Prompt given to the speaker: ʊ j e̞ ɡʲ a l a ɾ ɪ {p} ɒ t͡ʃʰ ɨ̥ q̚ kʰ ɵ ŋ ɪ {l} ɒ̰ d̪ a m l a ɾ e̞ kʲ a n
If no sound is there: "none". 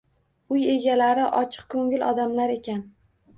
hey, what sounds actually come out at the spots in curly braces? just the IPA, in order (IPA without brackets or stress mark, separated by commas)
ʔ, l